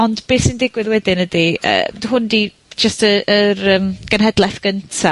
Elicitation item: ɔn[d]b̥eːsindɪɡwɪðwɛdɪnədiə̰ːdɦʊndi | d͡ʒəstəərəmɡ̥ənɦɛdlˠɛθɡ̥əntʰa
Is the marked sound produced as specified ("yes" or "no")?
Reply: yes